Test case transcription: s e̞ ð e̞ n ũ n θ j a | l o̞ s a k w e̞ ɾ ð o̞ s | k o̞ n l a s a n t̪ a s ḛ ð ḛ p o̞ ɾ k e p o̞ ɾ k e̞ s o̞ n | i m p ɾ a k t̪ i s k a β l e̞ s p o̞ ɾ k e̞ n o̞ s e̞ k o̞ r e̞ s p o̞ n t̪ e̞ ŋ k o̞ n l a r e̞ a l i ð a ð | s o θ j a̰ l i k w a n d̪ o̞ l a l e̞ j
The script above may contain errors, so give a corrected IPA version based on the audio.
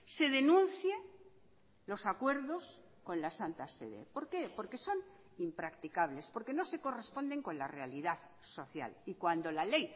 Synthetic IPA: s e̞ ð e̞ n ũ n θ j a | l o̞ s a k w e̞ ɾ ð o̞ s | k o̞ n l a s a n t̪ a s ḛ ð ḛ p o̞ ɾ k e p o̞ ɾ k e̞ s o̞ n | i m p ɾ a k t̪ i k a β l e̞ s p o̞ ɾ k e̞ n o̞ s e̞ k o̞ r e̞ s p o̞ n d̪ e̞ ŋ k o̞ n l a r e̞ a l i ð a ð | s o θ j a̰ l i k w a n d̪ o̞ l a l e̞ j